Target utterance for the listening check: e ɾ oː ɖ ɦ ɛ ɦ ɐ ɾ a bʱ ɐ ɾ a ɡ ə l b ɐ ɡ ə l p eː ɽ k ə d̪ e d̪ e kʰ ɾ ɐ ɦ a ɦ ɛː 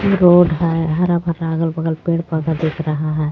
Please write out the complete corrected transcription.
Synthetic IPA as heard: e ɾ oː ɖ ɦ ɛ ɦ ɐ ɾ a bʱ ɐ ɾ a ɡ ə l b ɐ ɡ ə l p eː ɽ p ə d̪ a d̪ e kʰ ɾ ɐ ɦ a ɦ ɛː